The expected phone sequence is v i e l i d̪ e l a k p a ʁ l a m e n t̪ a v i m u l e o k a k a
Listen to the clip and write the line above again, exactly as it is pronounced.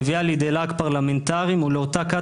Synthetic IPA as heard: v i a l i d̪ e l a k p a ʁ l a m e n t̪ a ʁ i m u l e o t a k a